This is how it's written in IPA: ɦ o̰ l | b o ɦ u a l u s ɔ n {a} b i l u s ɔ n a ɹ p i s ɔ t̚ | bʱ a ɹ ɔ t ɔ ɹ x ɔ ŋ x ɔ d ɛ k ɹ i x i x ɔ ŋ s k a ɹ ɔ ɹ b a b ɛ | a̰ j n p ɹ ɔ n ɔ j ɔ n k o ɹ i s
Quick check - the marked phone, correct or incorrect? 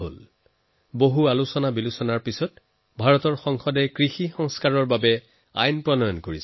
correct